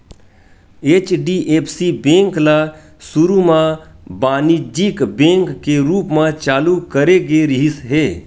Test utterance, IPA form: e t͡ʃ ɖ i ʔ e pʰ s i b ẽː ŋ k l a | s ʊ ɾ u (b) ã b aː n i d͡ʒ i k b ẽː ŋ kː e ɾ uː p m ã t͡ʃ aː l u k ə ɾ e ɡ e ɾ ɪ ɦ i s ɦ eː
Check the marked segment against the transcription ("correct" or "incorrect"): incorrect